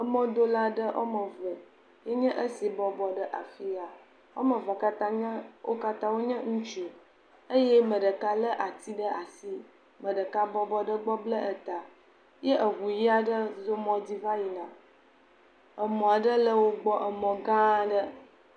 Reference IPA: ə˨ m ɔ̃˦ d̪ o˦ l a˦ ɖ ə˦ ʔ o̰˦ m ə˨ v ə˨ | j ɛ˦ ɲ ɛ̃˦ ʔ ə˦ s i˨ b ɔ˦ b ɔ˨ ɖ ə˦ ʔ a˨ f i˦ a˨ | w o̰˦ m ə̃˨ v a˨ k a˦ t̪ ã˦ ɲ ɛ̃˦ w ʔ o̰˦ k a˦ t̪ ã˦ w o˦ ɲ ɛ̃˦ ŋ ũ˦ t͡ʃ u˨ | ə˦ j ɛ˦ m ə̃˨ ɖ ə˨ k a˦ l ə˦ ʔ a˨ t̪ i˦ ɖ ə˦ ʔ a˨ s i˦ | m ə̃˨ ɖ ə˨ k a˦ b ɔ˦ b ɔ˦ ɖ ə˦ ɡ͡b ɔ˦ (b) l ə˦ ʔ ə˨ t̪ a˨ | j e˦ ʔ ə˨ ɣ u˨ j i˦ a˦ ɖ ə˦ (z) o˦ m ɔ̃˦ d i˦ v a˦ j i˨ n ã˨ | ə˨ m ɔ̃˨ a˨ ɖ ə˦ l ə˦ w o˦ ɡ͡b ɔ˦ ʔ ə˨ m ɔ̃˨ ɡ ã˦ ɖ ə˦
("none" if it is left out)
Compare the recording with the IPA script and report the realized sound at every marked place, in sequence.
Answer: b, z

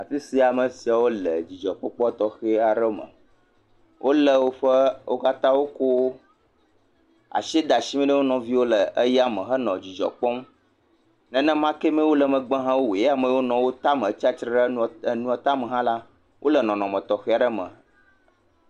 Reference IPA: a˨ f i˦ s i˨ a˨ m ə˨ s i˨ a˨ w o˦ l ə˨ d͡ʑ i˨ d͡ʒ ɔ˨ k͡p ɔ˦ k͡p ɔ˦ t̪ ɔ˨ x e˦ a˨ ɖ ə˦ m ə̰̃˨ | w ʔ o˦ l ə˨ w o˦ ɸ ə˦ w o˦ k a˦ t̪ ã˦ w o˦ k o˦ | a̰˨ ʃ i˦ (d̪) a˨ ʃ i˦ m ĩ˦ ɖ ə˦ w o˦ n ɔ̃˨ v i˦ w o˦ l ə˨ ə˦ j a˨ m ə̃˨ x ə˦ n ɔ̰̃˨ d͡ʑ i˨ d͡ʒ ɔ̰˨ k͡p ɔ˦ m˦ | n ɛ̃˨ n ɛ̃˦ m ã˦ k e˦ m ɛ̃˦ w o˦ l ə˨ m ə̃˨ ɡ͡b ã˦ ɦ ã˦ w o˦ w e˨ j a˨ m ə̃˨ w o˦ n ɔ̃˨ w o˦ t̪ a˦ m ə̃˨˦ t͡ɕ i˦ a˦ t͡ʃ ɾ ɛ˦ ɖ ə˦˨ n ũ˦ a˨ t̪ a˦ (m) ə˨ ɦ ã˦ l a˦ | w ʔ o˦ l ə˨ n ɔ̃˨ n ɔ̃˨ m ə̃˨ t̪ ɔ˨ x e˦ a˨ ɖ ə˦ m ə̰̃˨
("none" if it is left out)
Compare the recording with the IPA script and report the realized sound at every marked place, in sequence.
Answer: d̪, m

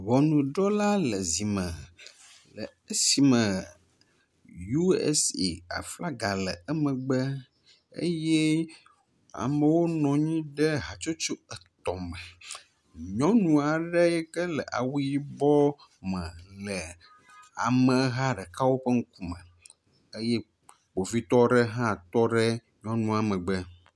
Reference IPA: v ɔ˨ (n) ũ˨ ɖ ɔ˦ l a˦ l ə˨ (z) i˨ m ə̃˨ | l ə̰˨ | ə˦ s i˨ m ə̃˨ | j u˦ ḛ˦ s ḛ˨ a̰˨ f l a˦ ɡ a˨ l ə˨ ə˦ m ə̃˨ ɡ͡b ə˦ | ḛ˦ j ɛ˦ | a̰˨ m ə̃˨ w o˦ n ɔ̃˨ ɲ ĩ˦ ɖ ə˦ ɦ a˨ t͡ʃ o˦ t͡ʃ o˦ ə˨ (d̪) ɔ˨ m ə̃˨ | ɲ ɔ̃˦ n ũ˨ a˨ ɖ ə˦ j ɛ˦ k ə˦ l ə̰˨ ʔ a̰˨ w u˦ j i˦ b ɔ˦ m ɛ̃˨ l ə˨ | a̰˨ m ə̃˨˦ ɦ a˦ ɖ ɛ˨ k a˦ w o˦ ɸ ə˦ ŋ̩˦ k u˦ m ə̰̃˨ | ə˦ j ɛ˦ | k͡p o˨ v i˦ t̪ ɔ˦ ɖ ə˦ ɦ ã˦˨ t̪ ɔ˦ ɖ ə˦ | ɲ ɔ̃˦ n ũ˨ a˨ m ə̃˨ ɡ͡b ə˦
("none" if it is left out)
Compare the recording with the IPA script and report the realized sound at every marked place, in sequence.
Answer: n, z, t̪

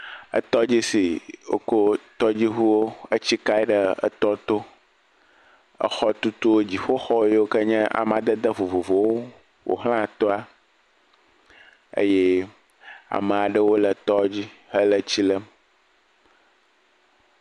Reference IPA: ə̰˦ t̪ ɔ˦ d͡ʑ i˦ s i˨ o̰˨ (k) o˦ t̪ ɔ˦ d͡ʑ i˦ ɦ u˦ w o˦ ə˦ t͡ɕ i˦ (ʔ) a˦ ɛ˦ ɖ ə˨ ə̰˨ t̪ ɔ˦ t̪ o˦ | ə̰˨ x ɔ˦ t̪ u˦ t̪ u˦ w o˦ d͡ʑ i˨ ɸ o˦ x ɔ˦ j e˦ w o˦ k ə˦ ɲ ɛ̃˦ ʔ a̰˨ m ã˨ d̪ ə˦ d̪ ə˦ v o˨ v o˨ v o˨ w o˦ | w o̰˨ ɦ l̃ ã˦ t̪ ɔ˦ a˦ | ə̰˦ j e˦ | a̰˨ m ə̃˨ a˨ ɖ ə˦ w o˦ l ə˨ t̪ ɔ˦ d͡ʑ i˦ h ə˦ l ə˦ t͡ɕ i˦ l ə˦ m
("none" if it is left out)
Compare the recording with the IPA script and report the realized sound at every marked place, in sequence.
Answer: k, k

